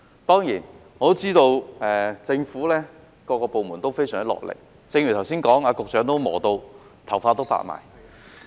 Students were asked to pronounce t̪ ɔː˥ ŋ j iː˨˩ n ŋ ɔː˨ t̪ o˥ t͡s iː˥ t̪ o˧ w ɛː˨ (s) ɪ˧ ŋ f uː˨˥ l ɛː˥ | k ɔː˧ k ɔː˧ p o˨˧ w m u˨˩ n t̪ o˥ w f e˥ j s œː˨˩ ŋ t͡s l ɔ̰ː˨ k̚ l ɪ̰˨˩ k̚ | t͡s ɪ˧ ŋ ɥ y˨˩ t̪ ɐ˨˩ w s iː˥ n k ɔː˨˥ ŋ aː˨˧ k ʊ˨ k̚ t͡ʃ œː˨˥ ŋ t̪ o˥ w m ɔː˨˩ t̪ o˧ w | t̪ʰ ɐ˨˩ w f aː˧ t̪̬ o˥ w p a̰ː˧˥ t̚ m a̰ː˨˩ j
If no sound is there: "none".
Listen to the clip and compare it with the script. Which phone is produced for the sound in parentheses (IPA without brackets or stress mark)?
t͡s